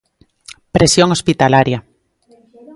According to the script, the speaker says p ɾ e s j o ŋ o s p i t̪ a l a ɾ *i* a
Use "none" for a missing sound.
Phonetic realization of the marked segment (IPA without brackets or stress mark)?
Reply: j